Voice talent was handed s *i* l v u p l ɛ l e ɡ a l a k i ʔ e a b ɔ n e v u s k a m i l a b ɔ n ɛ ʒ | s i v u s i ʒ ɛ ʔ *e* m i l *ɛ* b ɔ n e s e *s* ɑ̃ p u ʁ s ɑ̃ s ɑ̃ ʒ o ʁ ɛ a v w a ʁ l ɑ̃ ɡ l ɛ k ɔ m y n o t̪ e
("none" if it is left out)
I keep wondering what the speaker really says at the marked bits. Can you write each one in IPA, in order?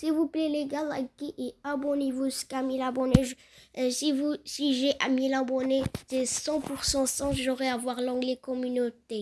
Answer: i, a, a, s

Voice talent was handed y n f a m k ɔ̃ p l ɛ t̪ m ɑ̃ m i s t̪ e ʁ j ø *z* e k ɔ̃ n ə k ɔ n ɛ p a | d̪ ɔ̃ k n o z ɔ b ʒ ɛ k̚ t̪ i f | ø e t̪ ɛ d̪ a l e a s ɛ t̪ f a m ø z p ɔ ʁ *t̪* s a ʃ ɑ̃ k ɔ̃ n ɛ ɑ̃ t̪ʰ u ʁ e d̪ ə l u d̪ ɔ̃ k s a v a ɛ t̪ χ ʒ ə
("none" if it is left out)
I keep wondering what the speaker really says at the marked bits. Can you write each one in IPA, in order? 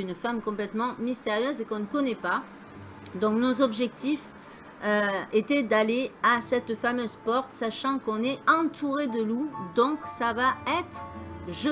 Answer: z, t̪

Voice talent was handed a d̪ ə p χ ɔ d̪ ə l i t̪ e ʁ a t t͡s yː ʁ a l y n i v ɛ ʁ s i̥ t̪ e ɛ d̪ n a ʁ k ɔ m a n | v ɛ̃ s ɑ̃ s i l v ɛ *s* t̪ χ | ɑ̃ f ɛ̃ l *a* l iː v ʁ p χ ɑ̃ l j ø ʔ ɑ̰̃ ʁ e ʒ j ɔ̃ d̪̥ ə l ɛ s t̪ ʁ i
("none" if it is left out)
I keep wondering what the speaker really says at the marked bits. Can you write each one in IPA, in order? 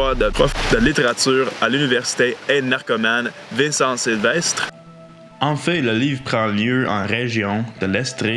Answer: s, ə

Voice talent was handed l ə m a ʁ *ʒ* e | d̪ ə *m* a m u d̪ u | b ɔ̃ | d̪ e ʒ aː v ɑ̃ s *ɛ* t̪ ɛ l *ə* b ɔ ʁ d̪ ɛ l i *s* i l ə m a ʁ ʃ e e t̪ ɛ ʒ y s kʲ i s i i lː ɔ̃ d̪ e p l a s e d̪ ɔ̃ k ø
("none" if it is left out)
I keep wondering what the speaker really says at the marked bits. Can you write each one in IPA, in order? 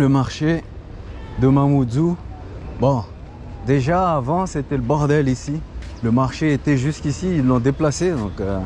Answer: ʃ, m, e, ə, s

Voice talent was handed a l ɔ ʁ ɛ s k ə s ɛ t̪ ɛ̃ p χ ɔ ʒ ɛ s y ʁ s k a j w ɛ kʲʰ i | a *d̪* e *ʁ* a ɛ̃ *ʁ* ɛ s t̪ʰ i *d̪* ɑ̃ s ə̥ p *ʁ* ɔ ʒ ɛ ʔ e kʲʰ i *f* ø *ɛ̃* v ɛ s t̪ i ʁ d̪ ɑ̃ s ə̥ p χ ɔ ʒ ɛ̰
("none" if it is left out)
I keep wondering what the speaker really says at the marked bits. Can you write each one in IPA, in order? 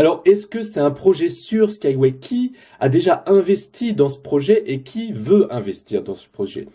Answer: d̪, ʒ, v, d̪, χ, v, ɛ̃

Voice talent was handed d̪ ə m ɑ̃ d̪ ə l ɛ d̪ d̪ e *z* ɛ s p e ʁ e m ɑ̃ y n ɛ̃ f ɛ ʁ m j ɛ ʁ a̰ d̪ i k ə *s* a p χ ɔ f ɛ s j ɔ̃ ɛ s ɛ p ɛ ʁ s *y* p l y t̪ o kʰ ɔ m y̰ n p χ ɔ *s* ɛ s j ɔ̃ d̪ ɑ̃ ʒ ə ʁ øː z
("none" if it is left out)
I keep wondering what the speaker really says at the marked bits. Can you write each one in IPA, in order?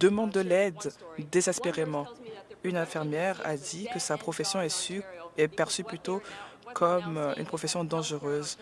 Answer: z, s, y, f

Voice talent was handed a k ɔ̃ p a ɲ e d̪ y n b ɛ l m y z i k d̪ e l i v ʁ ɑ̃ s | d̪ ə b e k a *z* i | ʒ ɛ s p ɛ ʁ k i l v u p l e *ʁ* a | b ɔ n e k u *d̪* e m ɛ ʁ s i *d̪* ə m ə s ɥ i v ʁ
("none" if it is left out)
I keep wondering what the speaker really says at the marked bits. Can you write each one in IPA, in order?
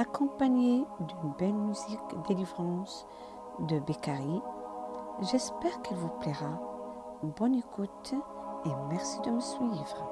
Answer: ʁ, ʁ, t̪, d̪

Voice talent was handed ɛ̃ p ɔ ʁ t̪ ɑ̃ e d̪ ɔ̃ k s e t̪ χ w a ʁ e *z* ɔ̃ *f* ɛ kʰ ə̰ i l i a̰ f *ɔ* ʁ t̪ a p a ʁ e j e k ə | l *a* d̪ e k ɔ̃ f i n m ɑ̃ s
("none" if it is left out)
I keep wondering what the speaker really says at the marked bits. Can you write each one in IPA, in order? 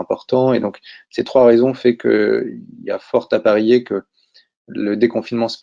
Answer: z, f, ɔ, ə

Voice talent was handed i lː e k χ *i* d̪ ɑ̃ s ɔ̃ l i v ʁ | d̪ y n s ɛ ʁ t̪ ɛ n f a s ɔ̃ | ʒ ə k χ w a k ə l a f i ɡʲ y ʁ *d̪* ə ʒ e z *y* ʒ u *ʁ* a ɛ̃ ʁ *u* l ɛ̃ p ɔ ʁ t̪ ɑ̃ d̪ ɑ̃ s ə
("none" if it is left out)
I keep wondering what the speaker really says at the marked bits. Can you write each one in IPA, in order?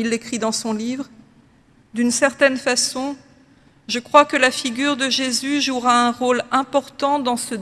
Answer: i, d̪, y, ʁ, o

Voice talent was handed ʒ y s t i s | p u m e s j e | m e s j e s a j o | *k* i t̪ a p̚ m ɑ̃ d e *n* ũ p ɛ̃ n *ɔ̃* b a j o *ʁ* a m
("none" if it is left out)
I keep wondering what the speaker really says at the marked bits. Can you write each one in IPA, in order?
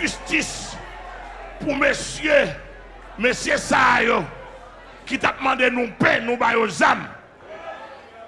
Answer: k, n, ũ, z

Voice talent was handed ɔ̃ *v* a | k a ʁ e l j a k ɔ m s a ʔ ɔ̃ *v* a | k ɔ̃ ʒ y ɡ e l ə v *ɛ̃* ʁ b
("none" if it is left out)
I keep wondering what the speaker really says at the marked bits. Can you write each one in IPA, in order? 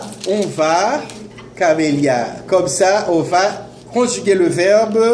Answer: v, v, ɛ

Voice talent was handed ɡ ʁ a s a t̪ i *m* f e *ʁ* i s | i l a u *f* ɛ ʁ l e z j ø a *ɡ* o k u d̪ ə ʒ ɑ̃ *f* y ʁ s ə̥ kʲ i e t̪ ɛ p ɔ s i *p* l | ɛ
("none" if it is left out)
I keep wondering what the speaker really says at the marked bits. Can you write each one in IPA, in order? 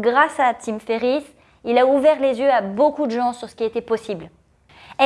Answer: m, ʁ, v, b, s, b

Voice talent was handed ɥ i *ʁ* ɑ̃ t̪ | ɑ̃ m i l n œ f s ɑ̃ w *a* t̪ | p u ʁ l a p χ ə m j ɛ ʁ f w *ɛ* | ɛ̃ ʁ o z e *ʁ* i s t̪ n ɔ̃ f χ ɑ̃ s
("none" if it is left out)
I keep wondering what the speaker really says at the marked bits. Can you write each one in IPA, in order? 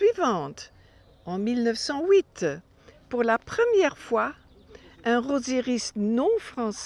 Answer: v, i, a, ʁ

